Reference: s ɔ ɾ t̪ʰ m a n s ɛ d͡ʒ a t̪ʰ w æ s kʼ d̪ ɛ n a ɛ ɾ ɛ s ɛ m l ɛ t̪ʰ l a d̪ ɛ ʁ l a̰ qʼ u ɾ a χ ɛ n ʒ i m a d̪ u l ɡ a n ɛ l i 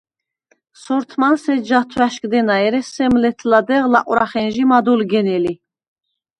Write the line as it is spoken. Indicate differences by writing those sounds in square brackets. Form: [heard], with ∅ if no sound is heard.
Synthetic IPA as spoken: s ɔ ɾ t̪ʰ m a n s ɛ d͡ʒ a t̪ʰ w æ [ʃ] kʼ d̪ ɛ n a ɛ ɾ ɛ s ɛ m l ɛ t̪ʰ l a d̪ ɛ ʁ l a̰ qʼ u ɾ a χ ɛ n ʒ i m a d̪ u l ɡ [ɛ] n ɛ l i